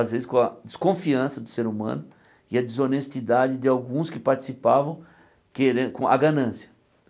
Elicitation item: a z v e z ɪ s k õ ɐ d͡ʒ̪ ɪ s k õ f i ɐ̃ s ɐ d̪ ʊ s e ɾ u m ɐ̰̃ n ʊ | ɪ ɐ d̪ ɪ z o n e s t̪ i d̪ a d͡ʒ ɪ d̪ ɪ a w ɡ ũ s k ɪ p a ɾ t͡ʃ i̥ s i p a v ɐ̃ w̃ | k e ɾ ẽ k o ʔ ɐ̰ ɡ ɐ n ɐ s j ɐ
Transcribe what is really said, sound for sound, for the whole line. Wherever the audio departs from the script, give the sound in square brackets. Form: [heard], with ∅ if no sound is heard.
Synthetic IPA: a z v e z ɪ s k õ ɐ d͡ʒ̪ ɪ s k õ f i ɐ̃ s ɐ d̪ ʊ s e ɾ u m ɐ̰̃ n ʊ | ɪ ɐ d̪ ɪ z o n e s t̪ i d̪ a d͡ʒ ɪ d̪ ɪ a w ɡ ũ s k ɪ p a ɾ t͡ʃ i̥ s i p a v ɐ̃ w̃ | k e ɾ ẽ k [õ] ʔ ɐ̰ ɡ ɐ n [ɐ̃] s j ɐ